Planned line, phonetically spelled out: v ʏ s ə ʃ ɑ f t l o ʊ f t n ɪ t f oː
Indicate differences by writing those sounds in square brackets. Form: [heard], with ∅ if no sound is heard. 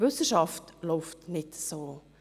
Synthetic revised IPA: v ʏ s ə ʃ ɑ f t l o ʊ f t n ɪ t [s] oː